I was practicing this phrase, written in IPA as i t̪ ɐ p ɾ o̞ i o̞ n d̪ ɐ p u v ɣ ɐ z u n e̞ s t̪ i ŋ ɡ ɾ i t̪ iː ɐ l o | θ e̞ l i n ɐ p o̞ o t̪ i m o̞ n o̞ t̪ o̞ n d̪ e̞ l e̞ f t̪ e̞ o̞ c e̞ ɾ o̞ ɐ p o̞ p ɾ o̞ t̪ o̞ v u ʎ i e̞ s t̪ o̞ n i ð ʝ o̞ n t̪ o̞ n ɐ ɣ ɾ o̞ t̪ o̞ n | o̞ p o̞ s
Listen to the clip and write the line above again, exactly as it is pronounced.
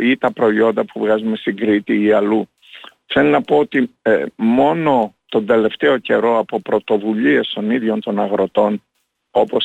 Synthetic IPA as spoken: i t̪ ɐ p ɾ o̞ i o̞ n d̪ ɐ p u v ɣ ɐ z u m e̞ s t̪ i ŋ ɡ ɾ i t̪ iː ɐ l u | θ e̞ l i n ɐ p o̞ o t̪ i m o̞ n o̞ t̪ o̞ n d̪ e̞ l e̞ f t̪ e̞ o̞ c e̞ ɾ o̞ ɐ p o̞ p ɾ o̞ t̪ o̞ v u ʎ i e̞ s t̪ o̞ n i ð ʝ o̞ n t̪ o̞ n ɐ ɣ ɾ o̞ t̪ o̞ n | o̞ p o̞ s